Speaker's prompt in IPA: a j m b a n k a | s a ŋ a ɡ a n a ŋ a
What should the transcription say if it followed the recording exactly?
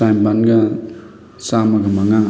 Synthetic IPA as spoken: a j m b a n ɡ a | s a m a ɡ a m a ŋ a